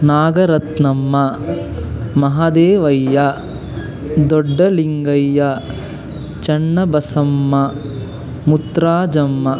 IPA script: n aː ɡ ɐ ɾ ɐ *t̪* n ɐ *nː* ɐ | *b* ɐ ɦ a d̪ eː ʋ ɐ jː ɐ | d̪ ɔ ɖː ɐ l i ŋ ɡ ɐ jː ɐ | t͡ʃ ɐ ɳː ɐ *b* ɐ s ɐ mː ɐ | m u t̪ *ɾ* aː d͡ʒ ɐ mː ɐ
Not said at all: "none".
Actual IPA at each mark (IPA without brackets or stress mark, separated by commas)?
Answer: t̪, mː, m, b, ɾ